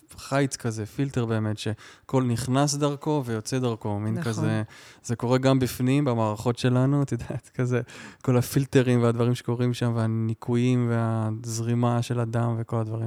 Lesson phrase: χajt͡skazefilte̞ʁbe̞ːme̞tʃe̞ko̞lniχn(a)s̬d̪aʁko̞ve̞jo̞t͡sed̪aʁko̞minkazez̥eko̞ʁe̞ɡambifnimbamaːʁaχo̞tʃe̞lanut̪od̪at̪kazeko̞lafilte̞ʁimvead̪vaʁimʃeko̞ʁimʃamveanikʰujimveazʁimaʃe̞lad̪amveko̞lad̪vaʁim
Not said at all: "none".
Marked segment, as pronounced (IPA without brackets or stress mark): a